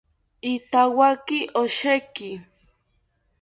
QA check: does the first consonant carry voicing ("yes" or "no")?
no